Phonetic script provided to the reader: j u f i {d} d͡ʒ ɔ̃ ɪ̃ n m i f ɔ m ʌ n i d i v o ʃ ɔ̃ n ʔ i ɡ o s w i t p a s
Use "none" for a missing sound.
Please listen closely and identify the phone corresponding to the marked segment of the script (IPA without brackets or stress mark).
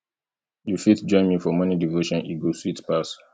t